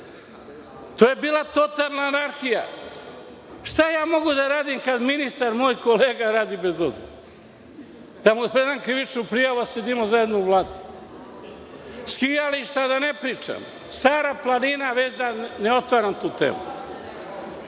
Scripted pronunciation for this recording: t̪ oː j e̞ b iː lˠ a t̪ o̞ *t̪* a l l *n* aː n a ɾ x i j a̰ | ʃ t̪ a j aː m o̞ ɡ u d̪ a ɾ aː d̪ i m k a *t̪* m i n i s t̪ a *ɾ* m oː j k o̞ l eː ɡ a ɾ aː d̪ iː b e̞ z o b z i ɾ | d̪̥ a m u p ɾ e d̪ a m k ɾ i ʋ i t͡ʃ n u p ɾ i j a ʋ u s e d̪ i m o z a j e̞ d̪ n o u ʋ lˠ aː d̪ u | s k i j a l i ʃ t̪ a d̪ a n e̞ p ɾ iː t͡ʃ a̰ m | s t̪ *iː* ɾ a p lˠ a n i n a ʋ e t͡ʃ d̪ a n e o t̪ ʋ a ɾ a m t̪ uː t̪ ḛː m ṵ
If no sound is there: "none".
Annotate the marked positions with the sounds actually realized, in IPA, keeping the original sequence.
t̪, n, d̪, ɾ, aː

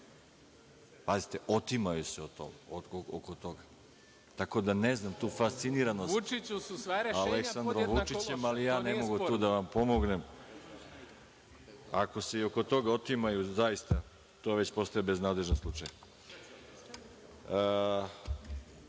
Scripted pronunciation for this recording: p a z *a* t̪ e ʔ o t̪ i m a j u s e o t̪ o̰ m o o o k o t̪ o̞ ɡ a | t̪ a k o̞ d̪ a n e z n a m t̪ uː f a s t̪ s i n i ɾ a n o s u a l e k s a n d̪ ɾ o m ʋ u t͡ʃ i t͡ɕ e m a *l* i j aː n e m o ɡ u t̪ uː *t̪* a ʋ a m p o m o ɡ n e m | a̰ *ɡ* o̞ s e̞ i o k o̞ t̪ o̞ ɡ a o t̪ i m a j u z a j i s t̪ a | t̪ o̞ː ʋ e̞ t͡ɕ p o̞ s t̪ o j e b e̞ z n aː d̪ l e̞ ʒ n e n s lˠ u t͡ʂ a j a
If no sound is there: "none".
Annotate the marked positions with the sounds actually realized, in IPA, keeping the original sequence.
i, l, d̪, k

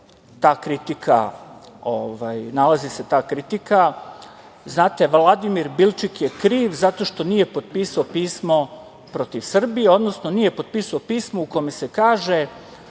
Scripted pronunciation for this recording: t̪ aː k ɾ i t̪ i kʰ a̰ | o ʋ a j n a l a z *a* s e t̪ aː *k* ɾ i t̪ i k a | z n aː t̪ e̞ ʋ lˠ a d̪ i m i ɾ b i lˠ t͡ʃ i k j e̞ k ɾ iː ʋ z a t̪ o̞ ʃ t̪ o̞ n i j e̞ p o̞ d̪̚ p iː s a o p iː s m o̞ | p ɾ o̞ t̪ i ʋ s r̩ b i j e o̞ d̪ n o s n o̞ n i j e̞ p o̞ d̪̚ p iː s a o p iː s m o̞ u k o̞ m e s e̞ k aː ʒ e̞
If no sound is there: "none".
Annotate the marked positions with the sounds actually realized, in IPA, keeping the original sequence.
i, k

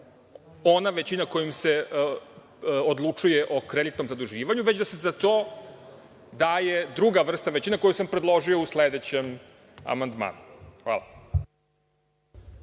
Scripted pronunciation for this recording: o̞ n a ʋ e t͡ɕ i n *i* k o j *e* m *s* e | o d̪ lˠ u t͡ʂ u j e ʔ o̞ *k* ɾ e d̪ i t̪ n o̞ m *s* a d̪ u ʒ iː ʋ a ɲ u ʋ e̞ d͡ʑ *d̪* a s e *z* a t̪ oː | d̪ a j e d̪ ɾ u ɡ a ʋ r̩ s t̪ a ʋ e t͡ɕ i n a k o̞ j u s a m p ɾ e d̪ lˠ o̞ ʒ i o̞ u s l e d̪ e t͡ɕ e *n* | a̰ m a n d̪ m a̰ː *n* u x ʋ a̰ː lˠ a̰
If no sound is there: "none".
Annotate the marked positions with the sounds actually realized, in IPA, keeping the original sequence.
a, i, s, k, z, d̪, z, m, n

